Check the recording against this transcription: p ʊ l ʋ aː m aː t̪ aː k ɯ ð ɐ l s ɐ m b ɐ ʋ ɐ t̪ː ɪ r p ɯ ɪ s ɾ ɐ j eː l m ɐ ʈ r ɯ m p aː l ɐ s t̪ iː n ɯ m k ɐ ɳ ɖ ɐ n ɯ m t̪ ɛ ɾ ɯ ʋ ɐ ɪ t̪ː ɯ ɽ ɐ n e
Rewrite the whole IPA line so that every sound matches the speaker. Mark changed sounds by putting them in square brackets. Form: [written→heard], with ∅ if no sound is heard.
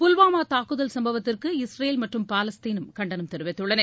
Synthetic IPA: p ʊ l ʋ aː m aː t̪ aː k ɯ ð ɐ l s ɐ m b ɐ ʋ ɐ t̪ː ɪ r [p→k] ɯ ɪ s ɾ ɐ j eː l m ɐ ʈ r ɯ m p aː l ɐ s t̪ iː n ɯ m k ɐ ɳ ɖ ɐ n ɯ m t̪ ɛ ɾ ɯ ʋ ɐ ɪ t̪ː ɯ ɽ ɐ n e

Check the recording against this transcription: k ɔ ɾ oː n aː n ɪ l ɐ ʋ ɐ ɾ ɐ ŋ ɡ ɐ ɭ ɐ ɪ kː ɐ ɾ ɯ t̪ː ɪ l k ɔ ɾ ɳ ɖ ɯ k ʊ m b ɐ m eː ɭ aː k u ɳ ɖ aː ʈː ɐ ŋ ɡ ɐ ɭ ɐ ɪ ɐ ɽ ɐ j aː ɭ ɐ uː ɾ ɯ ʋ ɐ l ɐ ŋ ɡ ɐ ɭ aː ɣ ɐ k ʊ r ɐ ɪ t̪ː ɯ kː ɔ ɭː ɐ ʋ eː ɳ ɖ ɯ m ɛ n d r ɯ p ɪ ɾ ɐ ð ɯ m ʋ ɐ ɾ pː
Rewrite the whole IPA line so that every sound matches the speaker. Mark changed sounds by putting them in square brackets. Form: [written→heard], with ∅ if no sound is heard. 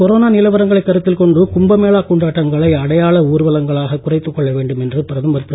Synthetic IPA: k ɔ ɾ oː n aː n ɪ l ɐ ʋ ɐ ɾ ɐ ŋ ɡ ɐ ɭ ɐ ɪ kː ɐ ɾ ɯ t̪ː ɪ l k ɔ [ɾ→∅] ɳ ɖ ɯ k ʊ m b ɐ m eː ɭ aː k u ɳ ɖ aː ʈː ɐ ŋ ɡ ɐ ɭ ɐ ɪ ɐ ɽ ɐ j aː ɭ ɐ uː ɾ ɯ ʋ ɐ l ɐ ŋ ɡ ɐ ɭ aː ɣ ɐ k ʊ r ɐ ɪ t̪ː ɯ kː ɔ ɭː ɐ ʋ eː ɳ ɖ ɯ m ɛ n d r ɯ p ɪ ɾ ɐ ð ɯ m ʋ ɐ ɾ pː

